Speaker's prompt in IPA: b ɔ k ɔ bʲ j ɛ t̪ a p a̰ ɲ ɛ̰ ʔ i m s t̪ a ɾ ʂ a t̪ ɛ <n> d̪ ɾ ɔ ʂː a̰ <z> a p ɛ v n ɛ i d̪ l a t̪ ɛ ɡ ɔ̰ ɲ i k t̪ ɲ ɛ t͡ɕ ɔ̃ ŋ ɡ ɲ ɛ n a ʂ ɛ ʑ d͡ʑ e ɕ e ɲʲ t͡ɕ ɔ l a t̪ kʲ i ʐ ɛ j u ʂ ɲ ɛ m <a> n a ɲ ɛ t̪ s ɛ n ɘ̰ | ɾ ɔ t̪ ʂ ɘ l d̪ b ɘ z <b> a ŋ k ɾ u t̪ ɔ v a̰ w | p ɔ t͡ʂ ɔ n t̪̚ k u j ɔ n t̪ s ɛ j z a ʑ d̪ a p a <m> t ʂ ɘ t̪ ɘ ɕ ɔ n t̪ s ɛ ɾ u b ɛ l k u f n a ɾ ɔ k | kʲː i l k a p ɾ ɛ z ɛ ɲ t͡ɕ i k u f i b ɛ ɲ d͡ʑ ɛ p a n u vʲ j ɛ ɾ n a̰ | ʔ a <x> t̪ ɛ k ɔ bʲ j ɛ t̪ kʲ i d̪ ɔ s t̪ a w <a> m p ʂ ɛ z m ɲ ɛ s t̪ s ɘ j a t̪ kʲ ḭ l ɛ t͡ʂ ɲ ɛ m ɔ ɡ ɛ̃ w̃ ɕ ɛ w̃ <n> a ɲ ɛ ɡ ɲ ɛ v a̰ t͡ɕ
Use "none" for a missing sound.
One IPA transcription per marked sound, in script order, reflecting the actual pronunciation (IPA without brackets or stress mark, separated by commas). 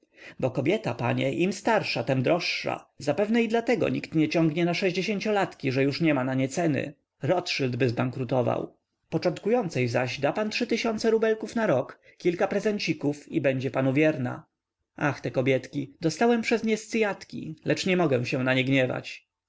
m, z, a, b, n, x, ɛ, n